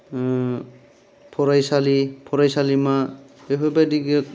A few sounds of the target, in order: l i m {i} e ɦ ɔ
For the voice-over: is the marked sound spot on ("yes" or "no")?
no